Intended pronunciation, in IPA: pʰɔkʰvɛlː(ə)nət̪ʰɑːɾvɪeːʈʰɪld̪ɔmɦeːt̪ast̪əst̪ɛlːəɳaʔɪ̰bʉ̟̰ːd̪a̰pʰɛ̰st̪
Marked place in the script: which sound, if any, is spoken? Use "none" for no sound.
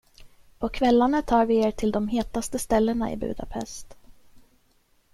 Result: a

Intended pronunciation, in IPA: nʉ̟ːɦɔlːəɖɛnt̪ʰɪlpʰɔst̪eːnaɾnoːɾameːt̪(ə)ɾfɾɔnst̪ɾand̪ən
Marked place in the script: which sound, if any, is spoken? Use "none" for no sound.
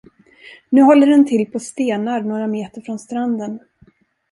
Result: ə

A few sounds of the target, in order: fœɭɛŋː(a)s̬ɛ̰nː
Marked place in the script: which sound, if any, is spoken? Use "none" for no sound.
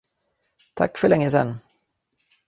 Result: ə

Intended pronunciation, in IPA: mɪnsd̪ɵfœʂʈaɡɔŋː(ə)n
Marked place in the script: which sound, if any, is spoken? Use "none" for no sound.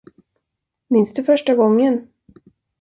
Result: ə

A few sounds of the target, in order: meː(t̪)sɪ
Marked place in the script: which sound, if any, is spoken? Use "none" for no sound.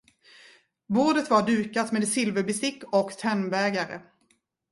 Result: d̪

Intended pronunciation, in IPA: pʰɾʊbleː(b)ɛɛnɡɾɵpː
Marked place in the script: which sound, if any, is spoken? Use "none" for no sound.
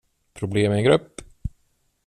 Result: m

